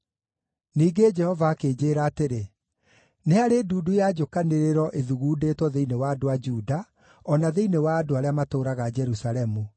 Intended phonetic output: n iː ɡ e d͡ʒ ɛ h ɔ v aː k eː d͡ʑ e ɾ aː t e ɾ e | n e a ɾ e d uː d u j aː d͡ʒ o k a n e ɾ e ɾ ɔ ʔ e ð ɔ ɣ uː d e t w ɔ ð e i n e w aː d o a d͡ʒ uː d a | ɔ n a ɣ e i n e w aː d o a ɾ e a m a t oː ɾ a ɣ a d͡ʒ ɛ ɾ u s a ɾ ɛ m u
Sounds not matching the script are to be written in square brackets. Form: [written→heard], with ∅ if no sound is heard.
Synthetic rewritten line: n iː ɡ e d͡ʒ ɛ h ɔ v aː k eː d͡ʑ e ɾ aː t e ɾ e | n e a ɾ e d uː d u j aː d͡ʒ o k a n e ɾ e ɾ ɔ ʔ e ð [ɔ→u] ɣ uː d e t w ɔ ð e i n e w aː d o a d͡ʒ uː d a | ɔ n a [ɣ→ð] e i n e w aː d o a ɾ e a m a t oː ɾ a ɣ a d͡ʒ ɛ ɾ u s a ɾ ɛ m u